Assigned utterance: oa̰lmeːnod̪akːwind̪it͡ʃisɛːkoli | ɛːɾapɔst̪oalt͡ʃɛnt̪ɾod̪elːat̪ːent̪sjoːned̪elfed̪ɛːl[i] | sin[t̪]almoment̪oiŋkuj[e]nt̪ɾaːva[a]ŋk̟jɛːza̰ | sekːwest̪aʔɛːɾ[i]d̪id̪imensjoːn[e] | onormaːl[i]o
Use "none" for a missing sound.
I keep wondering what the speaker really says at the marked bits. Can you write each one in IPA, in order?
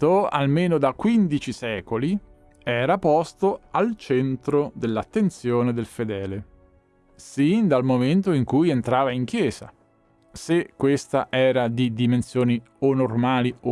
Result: e, d̪, e, i, a, i, i

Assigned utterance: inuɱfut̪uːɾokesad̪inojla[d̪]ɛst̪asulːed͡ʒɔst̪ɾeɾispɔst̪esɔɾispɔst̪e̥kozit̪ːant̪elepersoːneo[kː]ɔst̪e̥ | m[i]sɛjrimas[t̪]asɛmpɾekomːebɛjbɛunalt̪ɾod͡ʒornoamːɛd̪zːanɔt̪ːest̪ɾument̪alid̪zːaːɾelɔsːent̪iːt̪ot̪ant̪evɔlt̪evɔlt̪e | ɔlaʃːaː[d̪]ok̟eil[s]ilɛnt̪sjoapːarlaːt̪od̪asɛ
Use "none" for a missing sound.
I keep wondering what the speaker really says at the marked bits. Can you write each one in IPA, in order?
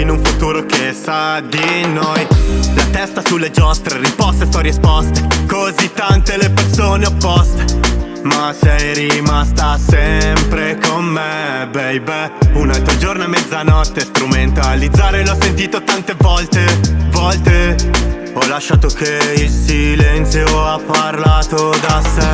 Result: t̪, pː, a, t̪, t̪, s

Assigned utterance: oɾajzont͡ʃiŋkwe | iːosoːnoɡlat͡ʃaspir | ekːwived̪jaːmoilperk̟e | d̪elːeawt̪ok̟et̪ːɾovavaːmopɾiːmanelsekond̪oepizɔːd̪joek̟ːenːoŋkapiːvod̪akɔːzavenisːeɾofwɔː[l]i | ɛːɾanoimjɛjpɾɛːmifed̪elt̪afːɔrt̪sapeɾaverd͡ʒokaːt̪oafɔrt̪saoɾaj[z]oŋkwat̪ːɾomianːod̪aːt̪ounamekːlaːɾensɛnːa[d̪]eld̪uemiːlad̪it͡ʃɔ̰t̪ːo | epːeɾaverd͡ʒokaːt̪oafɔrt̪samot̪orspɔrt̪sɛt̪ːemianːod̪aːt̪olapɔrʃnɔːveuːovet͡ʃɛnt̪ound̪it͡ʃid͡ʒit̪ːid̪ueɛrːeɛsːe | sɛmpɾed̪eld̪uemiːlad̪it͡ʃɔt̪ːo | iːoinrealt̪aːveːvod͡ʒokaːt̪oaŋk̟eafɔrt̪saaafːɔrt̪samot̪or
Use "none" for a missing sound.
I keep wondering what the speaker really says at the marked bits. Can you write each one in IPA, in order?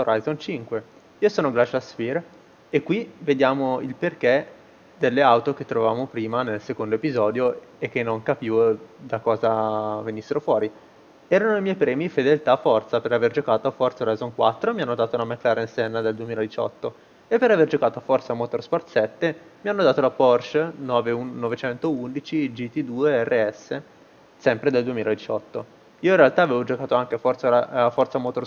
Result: ɾ, z, d̪

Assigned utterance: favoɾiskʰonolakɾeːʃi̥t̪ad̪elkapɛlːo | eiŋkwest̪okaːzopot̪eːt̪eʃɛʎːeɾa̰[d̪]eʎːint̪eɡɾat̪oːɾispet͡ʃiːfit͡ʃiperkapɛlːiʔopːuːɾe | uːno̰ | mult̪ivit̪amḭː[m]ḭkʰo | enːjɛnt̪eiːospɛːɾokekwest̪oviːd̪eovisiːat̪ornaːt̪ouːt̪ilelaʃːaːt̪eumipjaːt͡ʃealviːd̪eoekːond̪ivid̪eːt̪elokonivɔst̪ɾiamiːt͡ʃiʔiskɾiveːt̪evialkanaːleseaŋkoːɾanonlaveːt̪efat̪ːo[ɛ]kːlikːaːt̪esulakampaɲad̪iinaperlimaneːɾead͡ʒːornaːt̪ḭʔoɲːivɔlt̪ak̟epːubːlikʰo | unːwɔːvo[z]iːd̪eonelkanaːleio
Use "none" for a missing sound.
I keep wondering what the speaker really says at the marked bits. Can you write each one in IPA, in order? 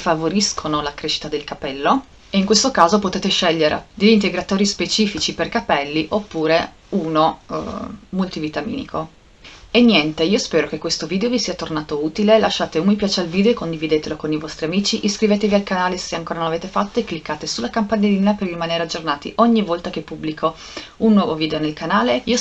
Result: d̪, n, e, v

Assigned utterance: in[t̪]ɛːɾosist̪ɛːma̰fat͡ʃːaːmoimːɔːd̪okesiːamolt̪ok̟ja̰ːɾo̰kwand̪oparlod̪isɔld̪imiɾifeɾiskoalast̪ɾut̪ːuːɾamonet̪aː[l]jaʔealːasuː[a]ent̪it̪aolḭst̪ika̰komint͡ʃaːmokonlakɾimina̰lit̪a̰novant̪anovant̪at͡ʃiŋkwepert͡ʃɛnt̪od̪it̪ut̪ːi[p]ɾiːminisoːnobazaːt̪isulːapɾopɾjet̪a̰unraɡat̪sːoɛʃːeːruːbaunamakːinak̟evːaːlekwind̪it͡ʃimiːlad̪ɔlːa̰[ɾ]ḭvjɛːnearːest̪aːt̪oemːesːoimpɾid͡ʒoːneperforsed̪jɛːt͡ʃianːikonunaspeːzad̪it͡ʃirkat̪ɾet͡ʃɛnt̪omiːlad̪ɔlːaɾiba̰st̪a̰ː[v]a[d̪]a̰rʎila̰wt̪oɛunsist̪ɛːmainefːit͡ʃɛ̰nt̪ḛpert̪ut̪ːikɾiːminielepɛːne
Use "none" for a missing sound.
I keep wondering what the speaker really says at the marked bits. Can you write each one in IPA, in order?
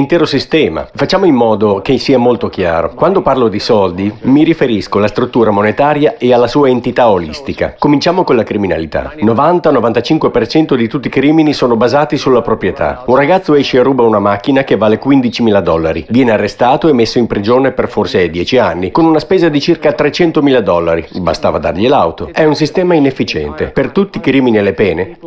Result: t̪, ɾ, a, k, ɾ, v, d̪

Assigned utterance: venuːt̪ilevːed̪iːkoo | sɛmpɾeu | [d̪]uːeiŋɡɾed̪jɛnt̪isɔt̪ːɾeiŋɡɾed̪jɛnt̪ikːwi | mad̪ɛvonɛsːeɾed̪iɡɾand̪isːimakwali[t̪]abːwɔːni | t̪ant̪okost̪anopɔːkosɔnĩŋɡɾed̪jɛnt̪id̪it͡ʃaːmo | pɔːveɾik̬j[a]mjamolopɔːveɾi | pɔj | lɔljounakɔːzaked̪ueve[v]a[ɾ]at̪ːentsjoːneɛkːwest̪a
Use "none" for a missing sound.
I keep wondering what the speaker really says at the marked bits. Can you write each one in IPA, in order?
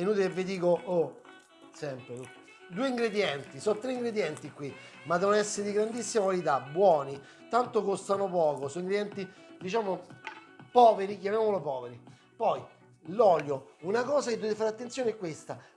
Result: d̪, t̪, a, f, ɾ

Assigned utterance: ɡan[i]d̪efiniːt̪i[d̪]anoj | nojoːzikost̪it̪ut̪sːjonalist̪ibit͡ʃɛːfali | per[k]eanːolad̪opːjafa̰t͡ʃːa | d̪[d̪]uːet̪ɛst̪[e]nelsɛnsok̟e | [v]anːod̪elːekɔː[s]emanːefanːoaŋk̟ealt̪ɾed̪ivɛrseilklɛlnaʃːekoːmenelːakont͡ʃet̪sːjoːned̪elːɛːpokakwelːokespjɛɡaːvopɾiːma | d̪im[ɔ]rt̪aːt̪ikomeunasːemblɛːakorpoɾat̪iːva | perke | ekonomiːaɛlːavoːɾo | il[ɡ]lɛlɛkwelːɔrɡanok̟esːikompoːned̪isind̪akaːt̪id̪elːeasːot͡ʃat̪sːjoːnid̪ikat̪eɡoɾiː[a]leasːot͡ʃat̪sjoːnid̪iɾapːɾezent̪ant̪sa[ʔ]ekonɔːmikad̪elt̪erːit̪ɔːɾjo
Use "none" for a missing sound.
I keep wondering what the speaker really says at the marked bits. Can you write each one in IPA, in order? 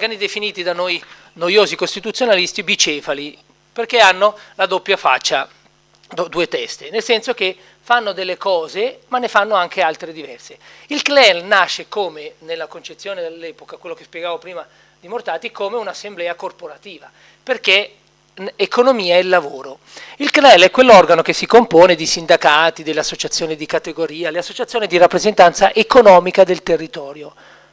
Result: i, d̪, k, d̪, e, f, z, o, k, a, ʔ

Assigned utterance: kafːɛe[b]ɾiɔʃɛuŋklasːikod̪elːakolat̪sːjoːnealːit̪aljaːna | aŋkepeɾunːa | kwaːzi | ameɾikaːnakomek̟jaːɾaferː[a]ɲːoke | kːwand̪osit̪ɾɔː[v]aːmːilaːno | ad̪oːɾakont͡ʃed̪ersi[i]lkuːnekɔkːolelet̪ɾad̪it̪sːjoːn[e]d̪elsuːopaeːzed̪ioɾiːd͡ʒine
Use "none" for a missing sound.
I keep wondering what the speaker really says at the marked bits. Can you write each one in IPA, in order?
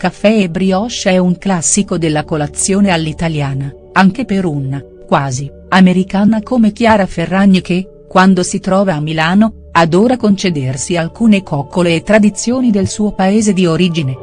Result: b, a, v, a, i

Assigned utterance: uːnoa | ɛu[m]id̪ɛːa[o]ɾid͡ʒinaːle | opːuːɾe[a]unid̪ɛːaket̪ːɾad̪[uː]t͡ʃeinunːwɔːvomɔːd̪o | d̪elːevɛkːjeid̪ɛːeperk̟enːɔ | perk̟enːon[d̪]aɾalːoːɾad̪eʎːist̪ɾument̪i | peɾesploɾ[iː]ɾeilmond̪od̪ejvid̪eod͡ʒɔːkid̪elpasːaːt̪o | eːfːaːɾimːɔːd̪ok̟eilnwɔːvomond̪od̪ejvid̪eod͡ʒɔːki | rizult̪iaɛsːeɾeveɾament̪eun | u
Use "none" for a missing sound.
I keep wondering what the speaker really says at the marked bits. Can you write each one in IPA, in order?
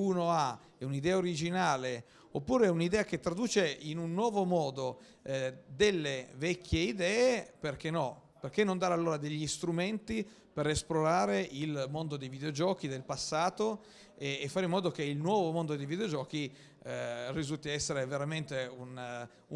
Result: n, o, ɛ, uː, d̪, aː

